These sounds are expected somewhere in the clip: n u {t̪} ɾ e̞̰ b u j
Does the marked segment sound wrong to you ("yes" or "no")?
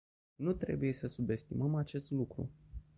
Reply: no